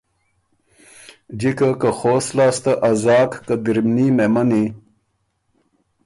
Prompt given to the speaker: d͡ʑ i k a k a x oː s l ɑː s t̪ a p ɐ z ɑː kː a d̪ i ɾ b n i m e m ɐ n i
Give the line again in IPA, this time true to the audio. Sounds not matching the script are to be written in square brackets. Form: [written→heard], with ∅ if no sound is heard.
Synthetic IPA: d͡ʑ i k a k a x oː s l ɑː s t̪ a [p→ʔ] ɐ z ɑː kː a d̪ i ɾ [b→m] n i m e m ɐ n i